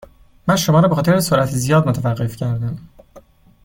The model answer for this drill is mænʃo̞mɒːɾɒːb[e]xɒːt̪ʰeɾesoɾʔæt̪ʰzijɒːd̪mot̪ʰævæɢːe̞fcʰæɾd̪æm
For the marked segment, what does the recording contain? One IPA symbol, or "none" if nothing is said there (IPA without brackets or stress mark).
e